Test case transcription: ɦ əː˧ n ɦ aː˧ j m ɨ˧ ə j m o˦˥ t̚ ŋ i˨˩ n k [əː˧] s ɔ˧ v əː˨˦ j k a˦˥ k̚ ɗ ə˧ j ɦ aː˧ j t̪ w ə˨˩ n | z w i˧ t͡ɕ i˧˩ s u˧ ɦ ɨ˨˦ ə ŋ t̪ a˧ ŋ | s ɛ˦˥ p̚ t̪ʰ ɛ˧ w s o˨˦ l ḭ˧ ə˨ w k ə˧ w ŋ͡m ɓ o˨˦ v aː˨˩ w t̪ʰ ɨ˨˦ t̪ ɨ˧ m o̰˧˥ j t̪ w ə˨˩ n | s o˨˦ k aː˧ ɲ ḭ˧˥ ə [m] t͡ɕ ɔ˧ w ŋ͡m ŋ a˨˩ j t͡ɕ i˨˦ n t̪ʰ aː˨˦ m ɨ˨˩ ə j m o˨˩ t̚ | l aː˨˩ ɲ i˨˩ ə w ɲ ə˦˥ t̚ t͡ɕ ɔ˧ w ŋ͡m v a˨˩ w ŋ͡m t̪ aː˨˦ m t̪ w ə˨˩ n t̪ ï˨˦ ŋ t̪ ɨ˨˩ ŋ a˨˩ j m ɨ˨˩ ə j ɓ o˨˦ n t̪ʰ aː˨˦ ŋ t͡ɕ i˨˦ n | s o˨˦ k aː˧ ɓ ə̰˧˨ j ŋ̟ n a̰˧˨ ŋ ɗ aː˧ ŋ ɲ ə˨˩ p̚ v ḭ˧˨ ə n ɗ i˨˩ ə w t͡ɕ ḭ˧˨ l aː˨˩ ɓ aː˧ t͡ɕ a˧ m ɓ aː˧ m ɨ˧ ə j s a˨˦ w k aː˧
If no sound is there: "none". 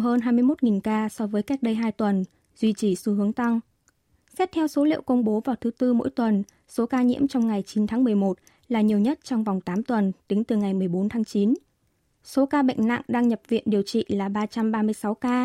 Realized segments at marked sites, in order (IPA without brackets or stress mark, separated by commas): aː˧, m